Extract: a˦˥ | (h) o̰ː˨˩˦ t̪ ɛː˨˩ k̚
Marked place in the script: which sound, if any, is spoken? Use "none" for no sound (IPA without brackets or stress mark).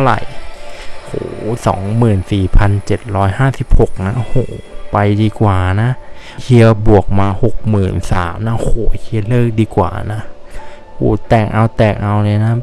h